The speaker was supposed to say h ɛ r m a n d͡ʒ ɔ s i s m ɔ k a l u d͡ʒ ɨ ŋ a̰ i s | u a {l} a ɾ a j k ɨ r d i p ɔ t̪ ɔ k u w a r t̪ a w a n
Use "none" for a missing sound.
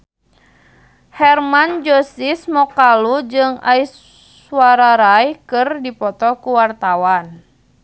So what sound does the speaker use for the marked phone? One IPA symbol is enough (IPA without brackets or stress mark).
ɾ